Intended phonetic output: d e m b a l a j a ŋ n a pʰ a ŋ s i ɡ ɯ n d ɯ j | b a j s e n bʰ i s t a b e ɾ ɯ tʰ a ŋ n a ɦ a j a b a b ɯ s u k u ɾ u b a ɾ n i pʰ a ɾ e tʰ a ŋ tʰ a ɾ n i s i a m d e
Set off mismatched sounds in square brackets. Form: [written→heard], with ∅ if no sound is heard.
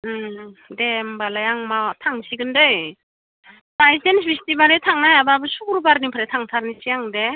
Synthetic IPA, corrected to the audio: d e m b a l a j a ŋ [n→m] a [pʰ→tʰ] a ŋ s i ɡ ɯ n d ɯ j | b a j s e n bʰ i s t [a→i] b [e→a] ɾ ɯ tʰ a ŋ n a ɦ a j a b a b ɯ s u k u ɾ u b a ɾ n i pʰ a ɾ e tʰ a ŋ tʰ a ɾ n i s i a [m→ŋ] d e